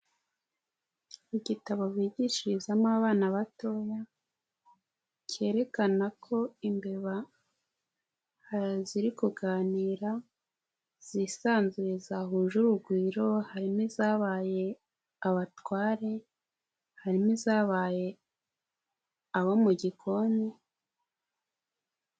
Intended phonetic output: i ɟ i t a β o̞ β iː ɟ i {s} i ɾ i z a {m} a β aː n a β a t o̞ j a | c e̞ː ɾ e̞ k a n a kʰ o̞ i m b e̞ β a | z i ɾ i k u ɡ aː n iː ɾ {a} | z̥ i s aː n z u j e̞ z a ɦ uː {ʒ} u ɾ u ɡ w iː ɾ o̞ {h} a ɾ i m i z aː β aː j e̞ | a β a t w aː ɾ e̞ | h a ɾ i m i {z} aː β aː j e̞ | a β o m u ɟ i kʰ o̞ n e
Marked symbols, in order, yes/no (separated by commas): no, yes, yes, yes, yes, yes